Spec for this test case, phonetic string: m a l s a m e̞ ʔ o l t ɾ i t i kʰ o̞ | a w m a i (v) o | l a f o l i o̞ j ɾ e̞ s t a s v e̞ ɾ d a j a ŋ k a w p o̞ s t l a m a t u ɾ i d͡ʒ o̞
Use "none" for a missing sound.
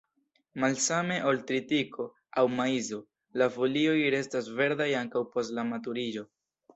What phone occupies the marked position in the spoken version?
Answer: z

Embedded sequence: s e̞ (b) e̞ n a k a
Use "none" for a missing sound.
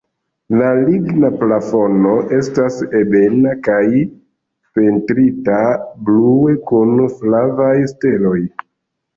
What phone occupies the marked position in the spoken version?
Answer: b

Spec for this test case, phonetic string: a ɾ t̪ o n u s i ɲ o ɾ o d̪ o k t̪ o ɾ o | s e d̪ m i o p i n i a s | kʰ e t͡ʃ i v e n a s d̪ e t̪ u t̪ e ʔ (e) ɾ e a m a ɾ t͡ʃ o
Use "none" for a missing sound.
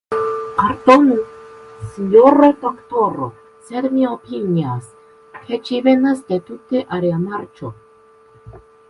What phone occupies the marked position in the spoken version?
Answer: a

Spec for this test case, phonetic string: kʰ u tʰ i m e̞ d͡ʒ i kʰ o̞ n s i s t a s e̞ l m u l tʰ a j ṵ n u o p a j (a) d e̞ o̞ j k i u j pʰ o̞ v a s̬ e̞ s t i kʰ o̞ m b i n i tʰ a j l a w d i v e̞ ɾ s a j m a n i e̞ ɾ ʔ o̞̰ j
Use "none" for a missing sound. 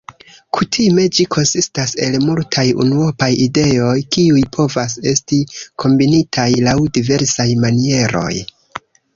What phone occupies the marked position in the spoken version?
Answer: i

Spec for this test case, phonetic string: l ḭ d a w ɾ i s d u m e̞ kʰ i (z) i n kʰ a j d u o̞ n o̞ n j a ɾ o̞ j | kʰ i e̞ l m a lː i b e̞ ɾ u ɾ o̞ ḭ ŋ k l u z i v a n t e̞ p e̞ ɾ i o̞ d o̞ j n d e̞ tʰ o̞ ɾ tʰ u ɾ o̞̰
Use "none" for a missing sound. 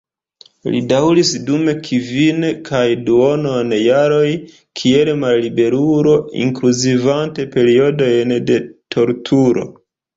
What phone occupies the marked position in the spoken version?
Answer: v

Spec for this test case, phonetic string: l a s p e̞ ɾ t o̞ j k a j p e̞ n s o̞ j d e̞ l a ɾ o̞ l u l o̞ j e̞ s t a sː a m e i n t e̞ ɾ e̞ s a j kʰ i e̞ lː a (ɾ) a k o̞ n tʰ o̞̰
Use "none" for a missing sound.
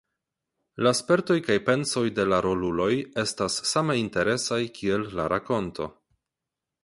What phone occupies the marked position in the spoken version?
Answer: ɾ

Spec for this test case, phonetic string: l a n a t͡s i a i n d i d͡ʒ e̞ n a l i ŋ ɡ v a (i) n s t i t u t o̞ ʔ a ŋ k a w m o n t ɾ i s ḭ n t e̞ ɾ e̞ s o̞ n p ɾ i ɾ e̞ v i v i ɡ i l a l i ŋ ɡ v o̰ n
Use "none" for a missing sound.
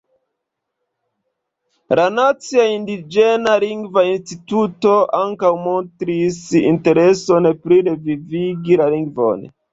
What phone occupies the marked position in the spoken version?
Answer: i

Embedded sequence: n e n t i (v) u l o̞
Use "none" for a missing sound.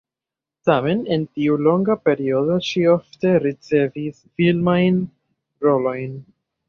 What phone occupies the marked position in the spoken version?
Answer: none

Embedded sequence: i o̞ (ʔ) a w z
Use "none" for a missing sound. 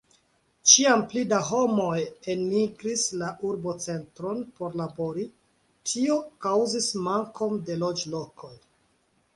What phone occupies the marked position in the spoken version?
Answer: k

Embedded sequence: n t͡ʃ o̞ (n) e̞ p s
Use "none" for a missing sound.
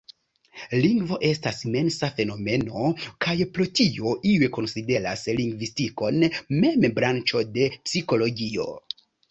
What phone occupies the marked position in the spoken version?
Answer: d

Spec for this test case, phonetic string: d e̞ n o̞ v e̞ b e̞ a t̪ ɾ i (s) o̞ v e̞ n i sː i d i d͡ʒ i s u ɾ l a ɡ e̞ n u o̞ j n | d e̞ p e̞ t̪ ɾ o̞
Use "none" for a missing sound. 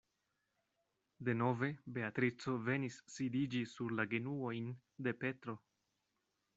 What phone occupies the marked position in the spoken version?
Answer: t͡s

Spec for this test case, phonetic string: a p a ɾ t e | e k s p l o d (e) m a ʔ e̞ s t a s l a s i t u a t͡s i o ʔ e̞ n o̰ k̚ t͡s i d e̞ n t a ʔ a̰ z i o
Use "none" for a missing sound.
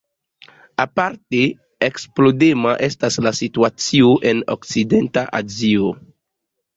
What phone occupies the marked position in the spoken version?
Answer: e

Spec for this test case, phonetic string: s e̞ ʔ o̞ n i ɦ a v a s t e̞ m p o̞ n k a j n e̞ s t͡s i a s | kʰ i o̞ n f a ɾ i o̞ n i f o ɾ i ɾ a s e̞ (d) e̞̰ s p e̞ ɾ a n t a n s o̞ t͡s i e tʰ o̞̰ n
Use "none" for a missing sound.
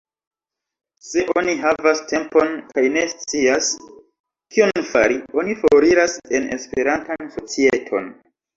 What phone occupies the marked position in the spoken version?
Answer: n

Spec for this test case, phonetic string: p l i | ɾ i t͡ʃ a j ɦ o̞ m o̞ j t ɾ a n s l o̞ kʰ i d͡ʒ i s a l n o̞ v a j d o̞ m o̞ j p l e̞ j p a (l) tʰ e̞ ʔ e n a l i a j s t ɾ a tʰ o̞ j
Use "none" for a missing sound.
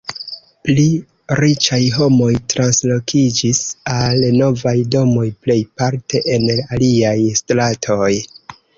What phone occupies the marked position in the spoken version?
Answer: ɾ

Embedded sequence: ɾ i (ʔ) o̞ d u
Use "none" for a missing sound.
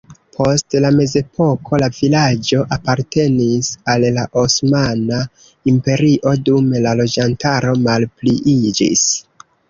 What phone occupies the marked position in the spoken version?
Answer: ʔ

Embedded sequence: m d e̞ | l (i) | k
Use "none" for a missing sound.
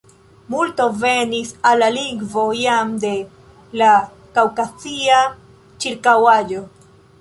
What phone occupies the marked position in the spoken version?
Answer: a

